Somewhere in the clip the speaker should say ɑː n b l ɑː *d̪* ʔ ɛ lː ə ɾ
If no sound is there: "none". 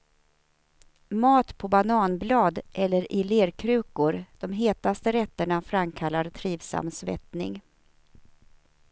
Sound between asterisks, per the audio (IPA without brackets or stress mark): d̪